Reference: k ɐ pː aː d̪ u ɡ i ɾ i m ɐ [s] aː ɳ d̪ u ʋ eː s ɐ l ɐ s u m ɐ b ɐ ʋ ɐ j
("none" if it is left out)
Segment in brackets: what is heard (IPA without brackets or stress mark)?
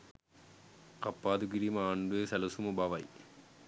none